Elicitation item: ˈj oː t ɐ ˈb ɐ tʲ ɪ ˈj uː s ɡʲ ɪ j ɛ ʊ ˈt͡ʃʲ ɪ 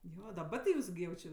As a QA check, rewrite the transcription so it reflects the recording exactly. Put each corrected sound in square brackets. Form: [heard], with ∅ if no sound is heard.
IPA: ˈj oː [d] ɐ ˈb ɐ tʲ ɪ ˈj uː s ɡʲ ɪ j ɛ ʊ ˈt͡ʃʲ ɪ